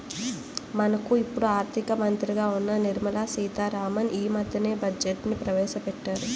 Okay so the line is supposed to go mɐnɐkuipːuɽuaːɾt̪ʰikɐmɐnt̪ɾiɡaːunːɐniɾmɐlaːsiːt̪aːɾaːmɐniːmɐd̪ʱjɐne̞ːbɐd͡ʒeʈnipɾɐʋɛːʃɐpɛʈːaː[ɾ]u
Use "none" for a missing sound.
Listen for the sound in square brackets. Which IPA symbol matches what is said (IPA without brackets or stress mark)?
ɾ